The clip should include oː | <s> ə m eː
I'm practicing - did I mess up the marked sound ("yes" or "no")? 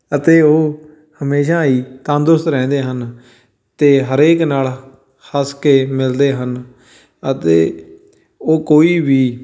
yes